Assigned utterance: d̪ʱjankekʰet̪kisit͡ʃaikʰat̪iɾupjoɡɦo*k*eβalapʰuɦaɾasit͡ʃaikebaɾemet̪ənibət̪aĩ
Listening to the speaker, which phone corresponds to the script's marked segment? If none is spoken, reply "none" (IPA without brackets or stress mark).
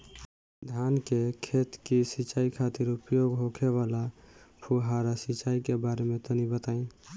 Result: kʰ